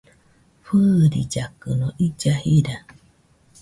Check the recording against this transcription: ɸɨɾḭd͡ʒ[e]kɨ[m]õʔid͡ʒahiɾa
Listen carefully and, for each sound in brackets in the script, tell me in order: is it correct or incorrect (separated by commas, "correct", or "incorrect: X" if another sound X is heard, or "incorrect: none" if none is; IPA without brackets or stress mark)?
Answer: incorrect: a, incorrect: n